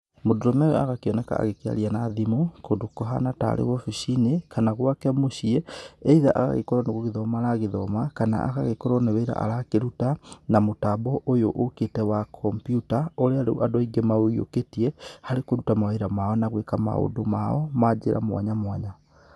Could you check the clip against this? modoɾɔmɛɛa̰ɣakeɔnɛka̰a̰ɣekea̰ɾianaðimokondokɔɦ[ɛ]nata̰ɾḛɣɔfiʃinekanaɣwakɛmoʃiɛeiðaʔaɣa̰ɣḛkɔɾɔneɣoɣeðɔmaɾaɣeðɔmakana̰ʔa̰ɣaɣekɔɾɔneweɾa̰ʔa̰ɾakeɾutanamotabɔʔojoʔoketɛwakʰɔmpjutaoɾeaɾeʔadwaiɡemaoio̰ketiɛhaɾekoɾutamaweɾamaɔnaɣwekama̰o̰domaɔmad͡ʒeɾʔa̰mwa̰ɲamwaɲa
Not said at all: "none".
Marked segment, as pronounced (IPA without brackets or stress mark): a